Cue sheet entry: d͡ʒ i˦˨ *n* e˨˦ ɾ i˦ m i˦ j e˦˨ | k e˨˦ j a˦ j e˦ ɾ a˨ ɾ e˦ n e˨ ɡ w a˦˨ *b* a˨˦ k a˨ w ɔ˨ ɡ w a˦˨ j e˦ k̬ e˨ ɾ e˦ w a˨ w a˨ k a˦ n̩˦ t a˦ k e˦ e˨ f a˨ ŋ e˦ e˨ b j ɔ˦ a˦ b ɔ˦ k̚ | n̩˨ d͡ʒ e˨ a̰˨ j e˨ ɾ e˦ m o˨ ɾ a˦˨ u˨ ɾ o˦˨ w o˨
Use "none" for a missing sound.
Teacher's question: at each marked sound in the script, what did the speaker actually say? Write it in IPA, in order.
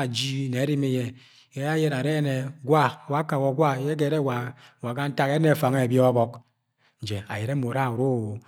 n, w

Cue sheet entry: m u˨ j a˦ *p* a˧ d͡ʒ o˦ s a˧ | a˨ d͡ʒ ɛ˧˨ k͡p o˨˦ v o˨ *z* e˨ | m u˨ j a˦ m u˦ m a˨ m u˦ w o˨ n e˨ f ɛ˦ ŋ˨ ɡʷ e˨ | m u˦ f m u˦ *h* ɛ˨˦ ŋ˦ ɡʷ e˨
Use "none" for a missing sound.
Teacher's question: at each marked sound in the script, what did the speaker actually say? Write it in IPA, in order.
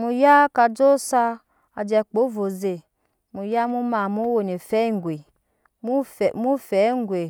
k, z, f

